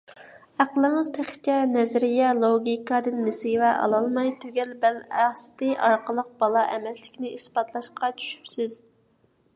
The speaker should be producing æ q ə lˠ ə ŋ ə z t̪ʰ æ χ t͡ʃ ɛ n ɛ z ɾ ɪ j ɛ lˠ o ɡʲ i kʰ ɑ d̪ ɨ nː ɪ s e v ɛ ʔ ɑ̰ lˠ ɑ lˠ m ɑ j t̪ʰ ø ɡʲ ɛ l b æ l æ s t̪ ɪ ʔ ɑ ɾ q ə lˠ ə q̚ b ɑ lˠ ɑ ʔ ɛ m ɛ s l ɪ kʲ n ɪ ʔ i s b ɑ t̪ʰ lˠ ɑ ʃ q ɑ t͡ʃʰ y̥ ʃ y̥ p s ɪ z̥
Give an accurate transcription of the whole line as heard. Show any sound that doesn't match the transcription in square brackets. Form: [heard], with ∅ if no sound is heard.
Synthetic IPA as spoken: æ q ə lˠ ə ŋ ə z t̪ʰ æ χ t͡ʃ ɛ n ɛ z ɾ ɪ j ɛ lˠ o ɡʲ i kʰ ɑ d̪ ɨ nː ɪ s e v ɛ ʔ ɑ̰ lˠ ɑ lˠ m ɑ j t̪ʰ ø ɡʲ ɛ l b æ l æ s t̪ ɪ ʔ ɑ ɾ q ə lˠ ə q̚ b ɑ lˠ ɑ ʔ ɛ m ɛ s l ɪ kʲ n ɪ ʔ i s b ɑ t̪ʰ lˠ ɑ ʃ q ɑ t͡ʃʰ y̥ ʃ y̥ p s ɪ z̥

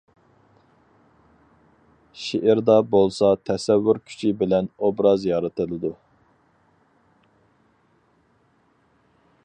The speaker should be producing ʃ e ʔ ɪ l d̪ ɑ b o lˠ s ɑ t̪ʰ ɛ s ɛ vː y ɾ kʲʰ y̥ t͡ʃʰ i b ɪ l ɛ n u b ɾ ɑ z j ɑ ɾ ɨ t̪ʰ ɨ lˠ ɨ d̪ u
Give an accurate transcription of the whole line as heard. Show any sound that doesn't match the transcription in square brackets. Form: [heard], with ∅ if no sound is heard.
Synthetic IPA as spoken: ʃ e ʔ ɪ [ɾ] d̪ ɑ b o lˠ s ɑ t̪ʰ ɛ s ɛ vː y ɾ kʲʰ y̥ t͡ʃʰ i b ɪ l ɛ n [o] b ɾ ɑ z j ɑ ɾ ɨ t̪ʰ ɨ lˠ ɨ d̪ u

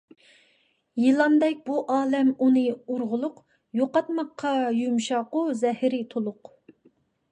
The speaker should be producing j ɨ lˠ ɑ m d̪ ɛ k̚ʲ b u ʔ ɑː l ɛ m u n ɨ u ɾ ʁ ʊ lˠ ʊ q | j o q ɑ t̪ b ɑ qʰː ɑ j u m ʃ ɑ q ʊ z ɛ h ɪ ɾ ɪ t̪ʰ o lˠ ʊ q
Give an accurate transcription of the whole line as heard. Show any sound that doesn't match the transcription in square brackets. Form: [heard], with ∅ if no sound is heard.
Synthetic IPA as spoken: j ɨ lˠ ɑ m d̪ ɛ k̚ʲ b u ʔ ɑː l ɛ m u n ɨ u ɾ ʁ ʊ lˠ ʊ q | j o q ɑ t̪ [m] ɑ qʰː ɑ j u m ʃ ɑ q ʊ z ɛ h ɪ ɾ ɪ t̪ʰ o lˠ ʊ q

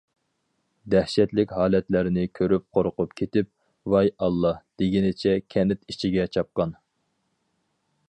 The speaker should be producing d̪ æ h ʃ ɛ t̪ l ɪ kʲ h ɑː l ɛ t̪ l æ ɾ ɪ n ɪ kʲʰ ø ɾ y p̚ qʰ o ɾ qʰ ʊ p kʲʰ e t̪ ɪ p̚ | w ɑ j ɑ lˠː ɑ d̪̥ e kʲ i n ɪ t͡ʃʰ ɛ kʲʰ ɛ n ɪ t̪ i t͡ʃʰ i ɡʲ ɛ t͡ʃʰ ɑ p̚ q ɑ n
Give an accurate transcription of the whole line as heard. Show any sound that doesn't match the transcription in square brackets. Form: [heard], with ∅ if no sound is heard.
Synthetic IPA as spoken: d̪ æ h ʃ ɛ t̪ l ɪ kʲ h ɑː l ɛ t̪ l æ ɾ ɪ n ɪ kʲʰ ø ɾ y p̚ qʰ o ɾ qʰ ʊ p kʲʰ e t̪ ɪ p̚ | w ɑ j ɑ lˠː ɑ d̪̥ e [ɡʲ] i n ɪ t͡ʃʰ ɛ kʲʰ ɛ n ɪ t̪ i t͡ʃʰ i ɡʲ ɛ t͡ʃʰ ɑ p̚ q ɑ n

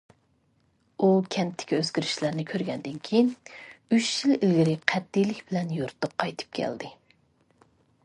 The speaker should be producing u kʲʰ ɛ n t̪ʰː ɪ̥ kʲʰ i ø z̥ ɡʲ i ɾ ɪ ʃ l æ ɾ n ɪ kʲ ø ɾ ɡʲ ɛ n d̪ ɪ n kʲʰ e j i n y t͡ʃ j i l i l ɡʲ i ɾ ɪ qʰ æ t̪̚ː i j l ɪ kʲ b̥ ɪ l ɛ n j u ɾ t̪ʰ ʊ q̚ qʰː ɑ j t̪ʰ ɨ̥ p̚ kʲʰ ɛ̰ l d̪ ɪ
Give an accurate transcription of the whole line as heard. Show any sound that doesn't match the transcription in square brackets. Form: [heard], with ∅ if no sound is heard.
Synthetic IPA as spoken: u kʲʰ ɛ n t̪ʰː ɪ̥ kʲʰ i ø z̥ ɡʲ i ɾ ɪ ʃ l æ ɾ n ɪ [kʲʰ] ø ɾ ɡʲ ɛ n d̪ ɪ n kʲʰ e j i n y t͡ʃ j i l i l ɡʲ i ɾ ɪ qʰ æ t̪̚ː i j l ɪ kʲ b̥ ɪ l ɛ n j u ɾ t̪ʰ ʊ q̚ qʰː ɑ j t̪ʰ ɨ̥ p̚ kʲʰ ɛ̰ l d̪ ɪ

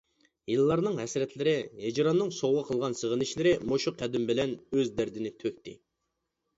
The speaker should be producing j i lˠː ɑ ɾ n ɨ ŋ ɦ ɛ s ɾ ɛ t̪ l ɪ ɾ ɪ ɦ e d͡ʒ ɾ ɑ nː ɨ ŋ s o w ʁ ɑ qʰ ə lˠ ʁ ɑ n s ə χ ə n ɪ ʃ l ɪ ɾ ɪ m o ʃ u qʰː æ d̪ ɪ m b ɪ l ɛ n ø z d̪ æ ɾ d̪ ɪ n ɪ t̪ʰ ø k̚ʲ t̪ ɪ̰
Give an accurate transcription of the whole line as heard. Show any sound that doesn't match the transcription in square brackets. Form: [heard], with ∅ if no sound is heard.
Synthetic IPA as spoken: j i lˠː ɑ ɾ n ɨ ŋ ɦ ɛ s ɾ ɛ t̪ l ɪ ɾ ɪ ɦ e d͡ʒ ɾ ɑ nː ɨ ŋ s o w ʁ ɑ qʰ ə lˠ ʁ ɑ n s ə [ʁ] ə n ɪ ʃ l ɪ ɾ ɪ m o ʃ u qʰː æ d̪ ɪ m b ɪ l ɛ n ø z d̪ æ ɾ d̪ ɪ n ɪ t̪ʰ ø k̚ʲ t̪ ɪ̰

